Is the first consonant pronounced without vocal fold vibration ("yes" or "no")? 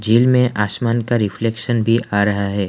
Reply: no